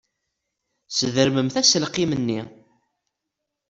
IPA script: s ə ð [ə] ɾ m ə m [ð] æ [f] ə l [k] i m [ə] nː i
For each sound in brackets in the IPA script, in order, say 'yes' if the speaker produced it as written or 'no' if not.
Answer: yes, no, no, no, yes

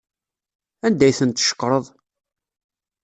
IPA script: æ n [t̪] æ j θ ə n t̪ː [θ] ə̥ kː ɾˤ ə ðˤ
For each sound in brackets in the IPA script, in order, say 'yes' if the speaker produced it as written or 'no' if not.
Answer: no, no

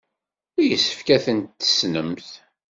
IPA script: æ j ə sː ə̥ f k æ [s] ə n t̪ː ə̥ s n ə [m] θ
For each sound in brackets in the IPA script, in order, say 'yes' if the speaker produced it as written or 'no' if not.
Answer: no, yes

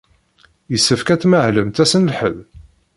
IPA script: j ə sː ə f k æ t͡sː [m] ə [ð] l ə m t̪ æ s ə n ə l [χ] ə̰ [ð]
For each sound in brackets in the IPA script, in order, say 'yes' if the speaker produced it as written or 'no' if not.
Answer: yes, no, no, yes

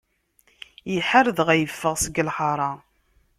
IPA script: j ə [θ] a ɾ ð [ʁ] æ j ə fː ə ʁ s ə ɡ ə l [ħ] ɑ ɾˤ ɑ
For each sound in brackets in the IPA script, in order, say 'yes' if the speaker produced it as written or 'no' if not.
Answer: no, yes, yes

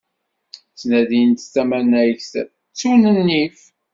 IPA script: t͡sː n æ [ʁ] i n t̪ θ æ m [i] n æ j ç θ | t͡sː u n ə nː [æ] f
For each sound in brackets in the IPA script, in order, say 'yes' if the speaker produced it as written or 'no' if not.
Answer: no, no, no

